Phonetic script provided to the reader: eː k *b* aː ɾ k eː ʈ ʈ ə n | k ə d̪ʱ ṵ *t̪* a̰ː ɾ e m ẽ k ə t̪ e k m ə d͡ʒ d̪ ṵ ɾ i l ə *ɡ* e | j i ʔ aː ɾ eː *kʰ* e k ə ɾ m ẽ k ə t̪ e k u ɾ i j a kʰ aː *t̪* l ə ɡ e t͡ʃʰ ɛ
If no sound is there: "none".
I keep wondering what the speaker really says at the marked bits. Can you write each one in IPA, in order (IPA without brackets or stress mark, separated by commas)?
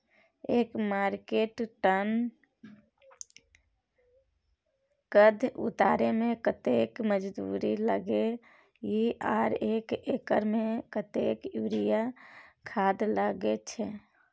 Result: m, t̪, ɡ, k, d̪